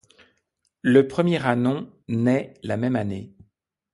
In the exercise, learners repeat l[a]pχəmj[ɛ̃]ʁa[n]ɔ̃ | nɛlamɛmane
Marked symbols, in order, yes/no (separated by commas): no, no, yes